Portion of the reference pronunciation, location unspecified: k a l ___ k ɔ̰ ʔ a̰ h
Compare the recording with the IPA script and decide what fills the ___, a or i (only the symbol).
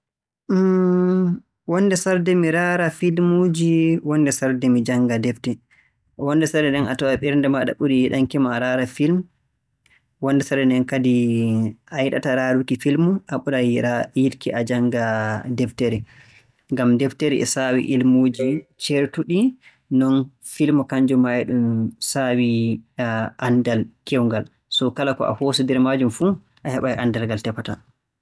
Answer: a